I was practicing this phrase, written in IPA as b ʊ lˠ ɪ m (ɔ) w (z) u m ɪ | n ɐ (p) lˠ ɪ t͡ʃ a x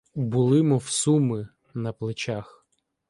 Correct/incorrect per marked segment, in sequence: correct, incorrect: s, correct

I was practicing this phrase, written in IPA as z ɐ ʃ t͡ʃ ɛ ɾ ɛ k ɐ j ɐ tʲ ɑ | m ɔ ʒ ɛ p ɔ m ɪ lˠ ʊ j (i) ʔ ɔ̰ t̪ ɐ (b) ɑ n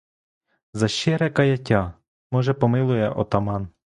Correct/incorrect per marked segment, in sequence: incorrect: ɛ, incorrect: m

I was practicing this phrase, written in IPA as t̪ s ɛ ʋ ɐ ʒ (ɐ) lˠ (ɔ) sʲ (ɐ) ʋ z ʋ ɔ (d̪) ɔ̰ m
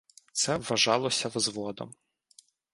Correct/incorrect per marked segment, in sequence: incorrect: ɑ, correct, correct, correct

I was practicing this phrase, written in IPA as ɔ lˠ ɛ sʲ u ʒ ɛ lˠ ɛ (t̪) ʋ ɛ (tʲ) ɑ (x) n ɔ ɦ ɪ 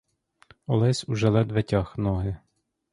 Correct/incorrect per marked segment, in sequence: incorrect: d̪, correct, correct

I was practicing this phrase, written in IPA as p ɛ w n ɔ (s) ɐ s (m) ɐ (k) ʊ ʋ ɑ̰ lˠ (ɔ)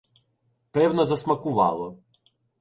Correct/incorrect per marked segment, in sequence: incorrect: z, correct, correct, correct

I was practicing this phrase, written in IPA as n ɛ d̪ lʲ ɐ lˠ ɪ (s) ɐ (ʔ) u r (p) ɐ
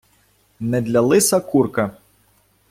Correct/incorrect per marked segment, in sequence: correct, incorrect: k, incorrect: k

